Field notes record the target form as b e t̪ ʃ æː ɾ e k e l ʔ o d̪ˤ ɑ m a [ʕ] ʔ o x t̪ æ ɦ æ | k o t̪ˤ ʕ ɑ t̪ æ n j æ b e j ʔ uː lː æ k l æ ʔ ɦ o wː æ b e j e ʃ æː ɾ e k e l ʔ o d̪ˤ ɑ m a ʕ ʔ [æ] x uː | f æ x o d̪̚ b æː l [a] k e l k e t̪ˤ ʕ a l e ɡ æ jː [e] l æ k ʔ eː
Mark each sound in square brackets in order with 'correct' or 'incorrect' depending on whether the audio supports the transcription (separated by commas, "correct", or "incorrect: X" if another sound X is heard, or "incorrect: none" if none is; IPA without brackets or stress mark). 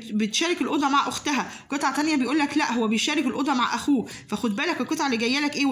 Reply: correct, correct, incorrect: æ, incorrect: æ